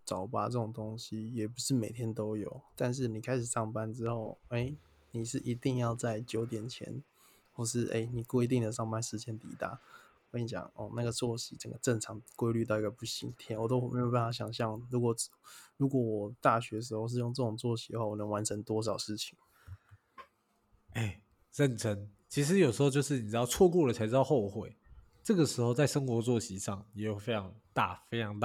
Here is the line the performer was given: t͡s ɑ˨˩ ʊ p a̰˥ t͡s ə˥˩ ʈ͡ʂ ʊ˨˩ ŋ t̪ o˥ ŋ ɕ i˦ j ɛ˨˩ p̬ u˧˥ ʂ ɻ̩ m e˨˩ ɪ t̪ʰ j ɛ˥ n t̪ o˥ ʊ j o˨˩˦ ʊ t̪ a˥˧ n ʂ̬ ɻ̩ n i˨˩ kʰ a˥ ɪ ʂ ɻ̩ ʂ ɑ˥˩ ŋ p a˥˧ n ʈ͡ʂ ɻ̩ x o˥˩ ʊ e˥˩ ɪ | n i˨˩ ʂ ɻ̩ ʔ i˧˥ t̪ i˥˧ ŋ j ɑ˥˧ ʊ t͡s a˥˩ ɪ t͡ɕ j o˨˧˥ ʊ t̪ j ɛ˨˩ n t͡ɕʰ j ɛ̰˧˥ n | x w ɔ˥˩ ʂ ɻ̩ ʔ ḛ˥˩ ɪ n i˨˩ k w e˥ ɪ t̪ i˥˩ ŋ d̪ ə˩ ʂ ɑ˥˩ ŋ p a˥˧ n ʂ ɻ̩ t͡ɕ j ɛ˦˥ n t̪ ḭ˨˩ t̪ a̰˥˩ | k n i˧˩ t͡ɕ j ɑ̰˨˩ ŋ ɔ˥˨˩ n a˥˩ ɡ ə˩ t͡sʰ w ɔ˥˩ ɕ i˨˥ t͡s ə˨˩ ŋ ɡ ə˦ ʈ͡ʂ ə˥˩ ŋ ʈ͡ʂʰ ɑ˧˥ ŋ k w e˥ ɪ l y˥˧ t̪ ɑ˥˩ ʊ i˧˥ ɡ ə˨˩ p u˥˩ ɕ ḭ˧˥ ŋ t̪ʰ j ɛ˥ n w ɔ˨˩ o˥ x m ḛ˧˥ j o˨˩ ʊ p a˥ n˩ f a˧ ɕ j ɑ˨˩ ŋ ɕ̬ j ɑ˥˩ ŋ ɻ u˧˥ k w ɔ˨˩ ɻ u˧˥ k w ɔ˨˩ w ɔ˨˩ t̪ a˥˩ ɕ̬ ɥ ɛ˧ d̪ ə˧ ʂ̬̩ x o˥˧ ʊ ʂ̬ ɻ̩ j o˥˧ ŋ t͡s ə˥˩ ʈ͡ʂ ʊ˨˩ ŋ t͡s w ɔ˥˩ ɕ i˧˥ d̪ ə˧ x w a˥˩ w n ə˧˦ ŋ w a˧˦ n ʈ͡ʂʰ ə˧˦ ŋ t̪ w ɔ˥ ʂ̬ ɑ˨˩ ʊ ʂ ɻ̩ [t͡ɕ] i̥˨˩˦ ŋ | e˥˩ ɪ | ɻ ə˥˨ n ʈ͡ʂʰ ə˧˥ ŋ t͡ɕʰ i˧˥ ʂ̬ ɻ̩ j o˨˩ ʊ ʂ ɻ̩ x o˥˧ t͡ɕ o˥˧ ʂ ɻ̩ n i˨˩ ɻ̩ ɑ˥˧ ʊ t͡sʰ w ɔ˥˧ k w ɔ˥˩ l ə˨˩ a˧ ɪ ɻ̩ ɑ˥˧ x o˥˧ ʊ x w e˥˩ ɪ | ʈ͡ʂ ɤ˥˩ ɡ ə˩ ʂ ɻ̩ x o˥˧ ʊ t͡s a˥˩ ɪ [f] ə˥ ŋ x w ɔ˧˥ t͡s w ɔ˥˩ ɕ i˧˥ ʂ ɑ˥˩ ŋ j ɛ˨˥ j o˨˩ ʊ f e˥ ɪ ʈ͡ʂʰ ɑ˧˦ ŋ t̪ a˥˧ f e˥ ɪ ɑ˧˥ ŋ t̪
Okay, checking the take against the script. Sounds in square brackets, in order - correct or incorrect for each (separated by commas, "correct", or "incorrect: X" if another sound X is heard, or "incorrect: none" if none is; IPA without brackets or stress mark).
incorrect: t͡ɕʰ, incorrect: ʂ